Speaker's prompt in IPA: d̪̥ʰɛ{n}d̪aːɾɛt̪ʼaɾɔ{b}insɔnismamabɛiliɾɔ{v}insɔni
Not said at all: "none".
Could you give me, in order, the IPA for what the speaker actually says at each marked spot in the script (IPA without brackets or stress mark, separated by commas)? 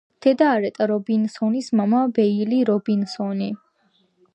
none, b, b